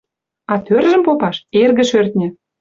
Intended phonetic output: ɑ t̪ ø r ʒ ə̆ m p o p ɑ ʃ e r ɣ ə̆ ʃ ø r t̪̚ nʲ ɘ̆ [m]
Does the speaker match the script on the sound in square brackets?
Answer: no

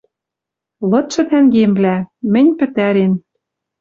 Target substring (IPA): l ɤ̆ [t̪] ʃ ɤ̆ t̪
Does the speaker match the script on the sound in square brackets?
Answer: yes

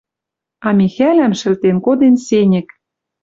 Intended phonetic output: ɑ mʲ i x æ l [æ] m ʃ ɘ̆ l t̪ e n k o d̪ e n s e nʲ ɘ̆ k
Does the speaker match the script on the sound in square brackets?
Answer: yes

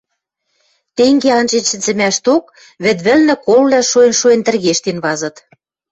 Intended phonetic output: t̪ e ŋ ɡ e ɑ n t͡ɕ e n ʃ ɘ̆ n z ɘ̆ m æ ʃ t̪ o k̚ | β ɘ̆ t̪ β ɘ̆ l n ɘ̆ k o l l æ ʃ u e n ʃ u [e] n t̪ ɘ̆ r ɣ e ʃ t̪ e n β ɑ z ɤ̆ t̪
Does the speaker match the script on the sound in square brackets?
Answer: yes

